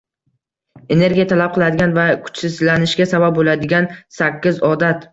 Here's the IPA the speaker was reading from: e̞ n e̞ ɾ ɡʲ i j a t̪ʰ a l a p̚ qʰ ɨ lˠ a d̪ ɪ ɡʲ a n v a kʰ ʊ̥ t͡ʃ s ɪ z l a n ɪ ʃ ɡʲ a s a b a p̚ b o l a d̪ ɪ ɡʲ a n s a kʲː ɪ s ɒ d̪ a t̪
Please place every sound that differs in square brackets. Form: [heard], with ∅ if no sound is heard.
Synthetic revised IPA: e̞ n e̞ ɾ ɡʲ i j a t̪ʰ a l a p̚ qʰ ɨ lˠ a d̪ ɪ ɡʲ a n v a kʰ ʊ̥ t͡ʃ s ɪ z l a n ɪ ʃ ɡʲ a s a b a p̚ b o l a d̪ ɪ ɡʲ a n s a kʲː ɪ [z] ɒ d̪ a t̪